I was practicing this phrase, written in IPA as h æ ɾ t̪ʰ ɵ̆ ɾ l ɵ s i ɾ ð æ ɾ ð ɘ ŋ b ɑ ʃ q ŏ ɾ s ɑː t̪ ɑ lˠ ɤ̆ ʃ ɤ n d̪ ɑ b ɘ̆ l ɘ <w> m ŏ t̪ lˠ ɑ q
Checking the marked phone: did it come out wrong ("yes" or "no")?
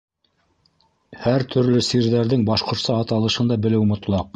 no